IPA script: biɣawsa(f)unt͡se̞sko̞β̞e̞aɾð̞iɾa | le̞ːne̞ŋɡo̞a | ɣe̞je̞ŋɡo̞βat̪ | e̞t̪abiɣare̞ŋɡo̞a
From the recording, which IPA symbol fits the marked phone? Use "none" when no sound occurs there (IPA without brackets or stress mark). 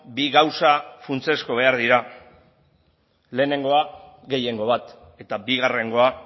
f